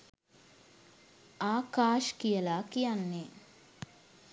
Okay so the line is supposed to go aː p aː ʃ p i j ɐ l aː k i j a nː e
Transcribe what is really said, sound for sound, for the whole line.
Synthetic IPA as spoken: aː k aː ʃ k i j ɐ l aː k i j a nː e